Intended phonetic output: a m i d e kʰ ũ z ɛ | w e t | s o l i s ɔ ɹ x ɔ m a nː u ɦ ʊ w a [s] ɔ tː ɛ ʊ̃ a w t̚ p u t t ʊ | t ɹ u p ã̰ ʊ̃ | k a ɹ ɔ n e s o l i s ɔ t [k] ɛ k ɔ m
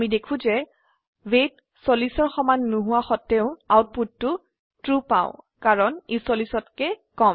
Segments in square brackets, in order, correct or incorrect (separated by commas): incorrect, correct